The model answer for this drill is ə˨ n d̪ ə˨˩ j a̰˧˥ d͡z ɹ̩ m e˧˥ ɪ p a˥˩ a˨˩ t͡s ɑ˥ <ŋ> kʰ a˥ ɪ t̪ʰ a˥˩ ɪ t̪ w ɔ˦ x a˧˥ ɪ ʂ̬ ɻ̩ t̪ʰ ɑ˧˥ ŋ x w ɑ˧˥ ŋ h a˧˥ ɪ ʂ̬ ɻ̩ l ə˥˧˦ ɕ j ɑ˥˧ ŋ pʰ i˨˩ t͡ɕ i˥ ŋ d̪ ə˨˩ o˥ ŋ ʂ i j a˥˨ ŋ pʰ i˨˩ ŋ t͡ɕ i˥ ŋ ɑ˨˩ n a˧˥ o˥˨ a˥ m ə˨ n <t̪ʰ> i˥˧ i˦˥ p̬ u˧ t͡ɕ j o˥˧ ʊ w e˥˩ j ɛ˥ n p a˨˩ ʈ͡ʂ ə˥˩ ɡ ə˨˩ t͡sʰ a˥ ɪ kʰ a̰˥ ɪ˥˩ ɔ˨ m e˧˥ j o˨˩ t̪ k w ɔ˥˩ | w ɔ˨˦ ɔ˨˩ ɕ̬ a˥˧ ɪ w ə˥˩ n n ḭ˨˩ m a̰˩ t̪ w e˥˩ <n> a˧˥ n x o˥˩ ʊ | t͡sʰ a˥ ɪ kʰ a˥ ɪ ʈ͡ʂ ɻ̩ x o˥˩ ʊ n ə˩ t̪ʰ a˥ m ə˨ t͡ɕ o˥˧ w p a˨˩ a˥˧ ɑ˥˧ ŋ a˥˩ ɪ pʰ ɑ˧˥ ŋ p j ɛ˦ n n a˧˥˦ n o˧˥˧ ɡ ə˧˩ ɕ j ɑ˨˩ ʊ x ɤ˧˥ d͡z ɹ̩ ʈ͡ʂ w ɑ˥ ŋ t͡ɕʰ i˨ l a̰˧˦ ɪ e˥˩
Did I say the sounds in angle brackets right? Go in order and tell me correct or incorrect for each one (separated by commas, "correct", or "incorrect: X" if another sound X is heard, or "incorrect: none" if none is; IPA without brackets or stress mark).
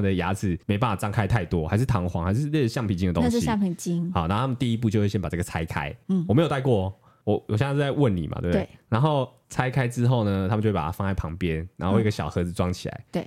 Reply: correct, incorrect: t̪, correct